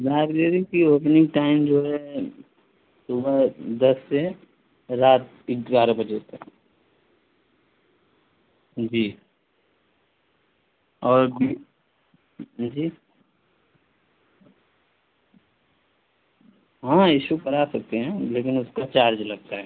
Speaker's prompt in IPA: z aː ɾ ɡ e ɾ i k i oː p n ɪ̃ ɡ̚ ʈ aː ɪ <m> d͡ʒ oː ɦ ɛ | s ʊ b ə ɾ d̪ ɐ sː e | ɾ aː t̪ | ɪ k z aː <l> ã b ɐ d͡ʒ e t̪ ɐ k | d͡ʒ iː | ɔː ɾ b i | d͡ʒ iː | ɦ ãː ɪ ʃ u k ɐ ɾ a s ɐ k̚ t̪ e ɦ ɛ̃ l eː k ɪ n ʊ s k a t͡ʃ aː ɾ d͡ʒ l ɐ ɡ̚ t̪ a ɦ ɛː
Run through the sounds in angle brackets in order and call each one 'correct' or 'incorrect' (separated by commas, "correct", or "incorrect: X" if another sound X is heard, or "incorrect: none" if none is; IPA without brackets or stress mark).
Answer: correct, incorrect: ɾ